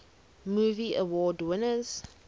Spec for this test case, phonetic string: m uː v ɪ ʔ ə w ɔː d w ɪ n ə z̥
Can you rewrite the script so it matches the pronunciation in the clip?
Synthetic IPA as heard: m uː v i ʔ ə w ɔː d w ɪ n ə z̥